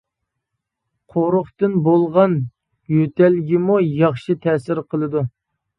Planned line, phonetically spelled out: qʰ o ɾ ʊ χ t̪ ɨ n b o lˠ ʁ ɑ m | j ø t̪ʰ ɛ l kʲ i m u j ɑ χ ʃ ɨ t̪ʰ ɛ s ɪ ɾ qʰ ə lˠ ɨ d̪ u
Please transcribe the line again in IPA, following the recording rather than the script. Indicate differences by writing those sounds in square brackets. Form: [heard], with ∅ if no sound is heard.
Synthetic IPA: qʰ o ɾ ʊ χ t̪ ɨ n b o lˠ ʁ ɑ [n] | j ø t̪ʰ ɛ l [ɡʲ] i m u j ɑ χ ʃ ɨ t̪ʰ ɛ s ɪ ɾ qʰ ə lˠ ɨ d̪ u

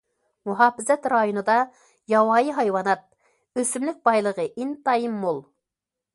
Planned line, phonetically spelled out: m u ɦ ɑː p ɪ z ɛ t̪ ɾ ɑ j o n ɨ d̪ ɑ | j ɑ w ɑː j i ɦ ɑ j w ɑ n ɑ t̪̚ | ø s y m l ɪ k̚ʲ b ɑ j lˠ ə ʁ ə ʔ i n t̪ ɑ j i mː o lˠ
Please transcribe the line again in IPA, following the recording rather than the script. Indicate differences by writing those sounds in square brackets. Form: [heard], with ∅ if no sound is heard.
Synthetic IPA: m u ɦ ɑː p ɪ z ɛ t̪ ɾ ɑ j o n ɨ d̪ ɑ | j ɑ w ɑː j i ɦ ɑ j w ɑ n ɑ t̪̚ | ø s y m l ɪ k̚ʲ b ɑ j lˠ ə ʁ ə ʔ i n t̪ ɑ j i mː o lˠ

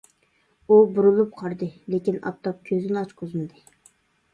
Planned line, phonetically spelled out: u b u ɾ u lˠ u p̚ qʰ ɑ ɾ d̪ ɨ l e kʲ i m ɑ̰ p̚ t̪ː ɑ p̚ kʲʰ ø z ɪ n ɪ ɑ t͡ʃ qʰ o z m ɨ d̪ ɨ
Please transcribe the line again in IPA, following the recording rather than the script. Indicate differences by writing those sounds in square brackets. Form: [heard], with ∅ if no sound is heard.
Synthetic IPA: u b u ɾ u lˠ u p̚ qʰ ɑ ɾ d̪ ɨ l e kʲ i [n] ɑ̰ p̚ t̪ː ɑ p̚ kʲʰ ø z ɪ n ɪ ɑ t͡ʃ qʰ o z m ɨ d̪ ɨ

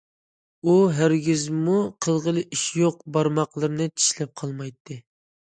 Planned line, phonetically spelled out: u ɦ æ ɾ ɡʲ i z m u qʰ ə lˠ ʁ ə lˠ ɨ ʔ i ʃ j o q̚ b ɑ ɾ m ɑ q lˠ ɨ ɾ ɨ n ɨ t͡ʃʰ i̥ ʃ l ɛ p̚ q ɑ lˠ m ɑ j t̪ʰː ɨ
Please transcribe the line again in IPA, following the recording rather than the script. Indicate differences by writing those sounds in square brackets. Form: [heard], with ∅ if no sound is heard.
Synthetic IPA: u ɦ æ ɾ ɡʲ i z m u qʰ ə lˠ ʁ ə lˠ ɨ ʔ i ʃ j o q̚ b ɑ ɾ m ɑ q lˠ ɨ ɾ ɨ n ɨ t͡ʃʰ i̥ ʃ l ɛ p̚ [qʰ] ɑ lˠ m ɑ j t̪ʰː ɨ

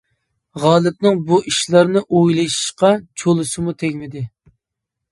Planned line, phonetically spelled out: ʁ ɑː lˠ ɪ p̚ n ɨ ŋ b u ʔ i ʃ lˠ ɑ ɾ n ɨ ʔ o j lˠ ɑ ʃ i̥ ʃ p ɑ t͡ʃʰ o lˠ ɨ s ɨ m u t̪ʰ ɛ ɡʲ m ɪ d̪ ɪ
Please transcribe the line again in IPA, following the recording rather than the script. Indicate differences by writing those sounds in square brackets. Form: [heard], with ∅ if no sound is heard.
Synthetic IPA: ʁ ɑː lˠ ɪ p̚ n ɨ ŋ b u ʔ i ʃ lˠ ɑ ɾ n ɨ ʔ o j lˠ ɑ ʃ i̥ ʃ [q] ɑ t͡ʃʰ o lˠ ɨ s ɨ m u t̪ʰ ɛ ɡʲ m ɪ d̪ ɪ

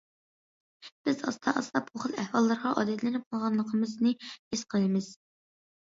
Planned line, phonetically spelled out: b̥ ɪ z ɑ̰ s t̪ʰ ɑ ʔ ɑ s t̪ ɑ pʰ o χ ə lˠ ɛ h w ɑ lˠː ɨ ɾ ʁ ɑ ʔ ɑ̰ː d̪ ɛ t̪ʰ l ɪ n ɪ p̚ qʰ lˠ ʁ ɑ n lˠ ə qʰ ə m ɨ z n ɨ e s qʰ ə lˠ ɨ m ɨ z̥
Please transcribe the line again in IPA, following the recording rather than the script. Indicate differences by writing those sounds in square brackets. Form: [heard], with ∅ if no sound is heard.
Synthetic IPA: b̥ ɪ z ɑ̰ s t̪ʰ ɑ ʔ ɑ s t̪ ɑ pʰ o χ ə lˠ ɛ h w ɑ lˠː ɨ ɾ ʁ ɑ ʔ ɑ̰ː d̪ ɛ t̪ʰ l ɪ n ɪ p̚ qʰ lˠ ʁ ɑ n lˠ ə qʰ ə m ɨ z n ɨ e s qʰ ə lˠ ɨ m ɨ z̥

